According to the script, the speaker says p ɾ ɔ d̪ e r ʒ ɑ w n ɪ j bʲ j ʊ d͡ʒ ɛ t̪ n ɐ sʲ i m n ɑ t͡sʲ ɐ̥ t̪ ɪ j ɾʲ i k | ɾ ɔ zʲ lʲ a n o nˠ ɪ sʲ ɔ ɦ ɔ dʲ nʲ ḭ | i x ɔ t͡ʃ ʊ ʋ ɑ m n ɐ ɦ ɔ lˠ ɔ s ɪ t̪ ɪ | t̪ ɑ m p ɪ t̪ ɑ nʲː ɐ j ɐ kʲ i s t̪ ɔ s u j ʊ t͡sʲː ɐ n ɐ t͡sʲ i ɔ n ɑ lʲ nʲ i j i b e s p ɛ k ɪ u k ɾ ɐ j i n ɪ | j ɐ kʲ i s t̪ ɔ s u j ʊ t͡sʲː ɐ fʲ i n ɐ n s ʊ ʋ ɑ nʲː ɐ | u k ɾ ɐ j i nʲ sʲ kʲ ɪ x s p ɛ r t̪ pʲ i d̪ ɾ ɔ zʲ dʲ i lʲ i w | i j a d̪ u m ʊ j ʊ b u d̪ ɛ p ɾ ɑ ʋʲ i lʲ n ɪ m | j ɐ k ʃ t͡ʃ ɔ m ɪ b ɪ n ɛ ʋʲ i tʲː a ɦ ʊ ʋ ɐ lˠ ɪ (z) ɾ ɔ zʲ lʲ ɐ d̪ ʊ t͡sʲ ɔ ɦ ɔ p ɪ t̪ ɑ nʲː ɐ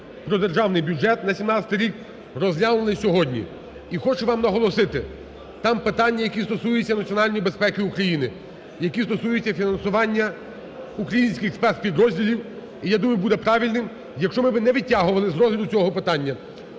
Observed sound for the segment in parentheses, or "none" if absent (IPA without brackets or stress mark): z